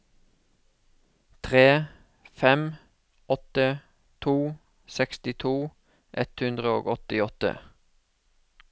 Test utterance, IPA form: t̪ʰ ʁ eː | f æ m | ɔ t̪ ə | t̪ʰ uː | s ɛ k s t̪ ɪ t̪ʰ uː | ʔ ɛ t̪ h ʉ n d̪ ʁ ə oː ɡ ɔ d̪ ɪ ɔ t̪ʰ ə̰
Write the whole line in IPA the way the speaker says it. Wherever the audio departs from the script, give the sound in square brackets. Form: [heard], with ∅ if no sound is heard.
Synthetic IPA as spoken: t̪ʰ ʁ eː | f [ɛ] m | ɔ t̪ ə | t̪ʰ uː | s ɛ k s t̪ ɪ t̪ʰ uː | ʔ ɛ t̪ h ʉ n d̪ ʁ ə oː ɡ ɔ [t̪] ɪ ɔ [t̪] ə̰